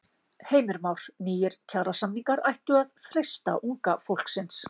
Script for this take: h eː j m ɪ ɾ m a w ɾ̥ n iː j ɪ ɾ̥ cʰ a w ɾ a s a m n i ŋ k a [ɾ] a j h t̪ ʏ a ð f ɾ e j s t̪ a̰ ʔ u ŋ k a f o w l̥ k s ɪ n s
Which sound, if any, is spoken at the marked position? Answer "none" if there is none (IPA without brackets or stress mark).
ɾ